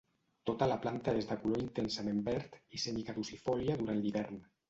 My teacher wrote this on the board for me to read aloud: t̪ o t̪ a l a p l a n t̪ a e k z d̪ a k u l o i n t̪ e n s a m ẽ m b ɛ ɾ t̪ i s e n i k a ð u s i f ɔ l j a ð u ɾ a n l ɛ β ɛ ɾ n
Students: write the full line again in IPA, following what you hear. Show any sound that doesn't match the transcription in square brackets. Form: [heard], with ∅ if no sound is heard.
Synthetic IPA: t̪ o t̪ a l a p l a n t̪ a e [∅] z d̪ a k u l o i n t̪ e n s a m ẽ m b ɛ ɾ t̪ i s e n i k a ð u s i f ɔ l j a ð u ɾ a n l [i] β ɛ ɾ n